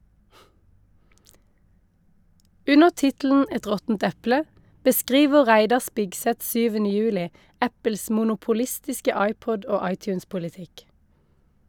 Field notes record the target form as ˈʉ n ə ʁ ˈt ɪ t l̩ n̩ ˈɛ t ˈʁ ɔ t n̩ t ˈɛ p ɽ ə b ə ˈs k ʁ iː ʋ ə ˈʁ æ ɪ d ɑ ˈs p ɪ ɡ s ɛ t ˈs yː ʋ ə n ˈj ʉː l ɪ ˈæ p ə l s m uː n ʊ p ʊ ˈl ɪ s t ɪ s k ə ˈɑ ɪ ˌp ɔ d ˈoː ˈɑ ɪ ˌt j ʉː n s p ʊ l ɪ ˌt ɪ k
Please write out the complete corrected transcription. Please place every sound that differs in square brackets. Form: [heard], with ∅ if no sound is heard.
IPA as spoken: ˈʉ n ə ʁ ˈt ɪ t l̩ n̩ ˈɛ t ˈʁ ɔ t n̩ t ˈɛ p [l] ə b ə ˈs k ʁ iː ʋ ə ˈʁ æ ɪ d ɑ ˈs p ɪ ɡ s ɛ t ˈs yː ʋ ə n ˈj ʉː l ɪ ˈæ p ə l s m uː n ʊ p ʊ ˈl ɪ s t ɪ s k ə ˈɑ ɪ ˌp ɔ d ˈoː ˈɑ ɪ ˌt j ʉː n s p ʊ l ɪ ˌt ɪ k